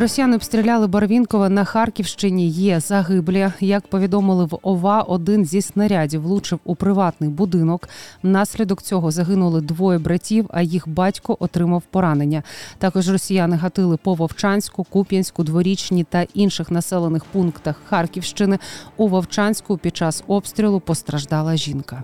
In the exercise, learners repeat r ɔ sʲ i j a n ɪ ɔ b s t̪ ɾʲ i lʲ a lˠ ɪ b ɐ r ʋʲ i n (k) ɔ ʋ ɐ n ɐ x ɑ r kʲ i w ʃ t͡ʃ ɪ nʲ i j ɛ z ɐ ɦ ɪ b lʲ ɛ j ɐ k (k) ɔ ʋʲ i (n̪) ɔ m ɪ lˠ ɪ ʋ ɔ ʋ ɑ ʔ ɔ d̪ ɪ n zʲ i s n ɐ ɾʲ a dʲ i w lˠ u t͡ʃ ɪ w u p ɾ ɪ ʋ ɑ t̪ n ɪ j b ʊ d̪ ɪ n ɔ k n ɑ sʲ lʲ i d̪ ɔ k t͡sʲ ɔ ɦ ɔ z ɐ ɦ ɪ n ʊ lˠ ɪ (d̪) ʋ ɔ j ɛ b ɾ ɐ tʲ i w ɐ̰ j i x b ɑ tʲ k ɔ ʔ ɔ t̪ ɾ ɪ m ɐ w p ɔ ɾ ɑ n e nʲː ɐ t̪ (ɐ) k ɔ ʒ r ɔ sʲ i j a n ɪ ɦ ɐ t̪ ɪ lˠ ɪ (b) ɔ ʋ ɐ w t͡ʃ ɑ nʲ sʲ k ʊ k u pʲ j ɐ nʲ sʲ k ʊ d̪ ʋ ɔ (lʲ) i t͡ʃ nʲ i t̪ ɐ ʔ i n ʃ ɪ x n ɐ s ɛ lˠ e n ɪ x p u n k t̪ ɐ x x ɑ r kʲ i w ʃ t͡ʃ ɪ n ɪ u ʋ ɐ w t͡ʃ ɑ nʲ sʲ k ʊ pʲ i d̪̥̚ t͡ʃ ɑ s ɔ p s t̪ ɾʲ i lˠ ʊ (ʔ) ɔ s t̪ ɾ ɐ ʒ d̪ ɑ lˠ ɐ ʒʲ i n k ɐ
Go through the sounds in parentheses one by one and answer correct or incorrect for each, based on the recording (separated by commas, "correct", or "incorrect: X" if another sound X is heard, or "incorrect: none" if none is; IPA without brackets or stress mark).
correct, incorrect: p, incorrect: d̪, correct, incorrect: ɑ, incorrect: p, incorrect: ɾʲ, incorrect: p